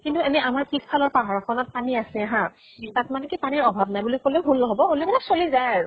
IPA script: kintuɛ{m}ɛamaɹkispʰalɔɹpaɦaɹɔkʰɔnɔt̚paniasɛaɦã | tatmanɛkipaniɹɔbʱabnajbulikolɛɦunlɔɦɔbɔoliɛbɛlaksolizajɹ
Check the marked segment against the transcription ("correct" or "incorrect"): incorrect